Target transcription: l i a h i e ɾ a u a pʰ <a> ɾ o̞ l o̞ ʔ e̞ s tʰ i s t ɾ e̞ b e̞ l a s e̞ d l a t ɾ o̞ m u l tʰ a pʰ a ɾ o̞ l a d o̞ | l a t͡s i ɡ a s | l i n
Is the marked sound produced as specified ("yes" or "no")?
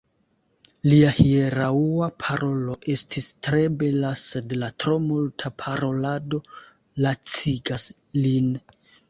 yes